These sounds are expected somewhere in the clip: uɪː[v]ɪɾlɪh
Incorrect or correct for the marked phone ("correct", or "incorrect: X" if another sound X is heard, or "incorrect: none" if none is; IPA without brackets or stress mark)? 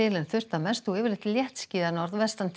correct